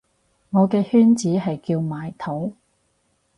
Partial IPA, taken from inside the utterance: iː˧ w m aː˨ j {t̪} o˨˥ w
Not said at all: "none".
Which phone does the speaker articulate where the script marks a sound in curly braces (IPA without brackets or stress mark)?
t̪ʰ